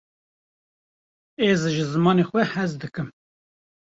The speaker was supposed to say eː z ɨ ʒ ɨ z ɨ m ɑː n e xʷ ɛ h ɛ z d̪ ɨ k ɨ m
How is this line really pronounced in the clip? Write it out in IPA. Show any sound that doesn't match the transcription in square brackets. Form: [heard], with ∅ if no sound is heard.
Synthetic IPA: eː z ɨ ʒ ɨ z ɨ m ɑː n e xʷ ɛ h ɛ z d̪ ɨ k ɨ m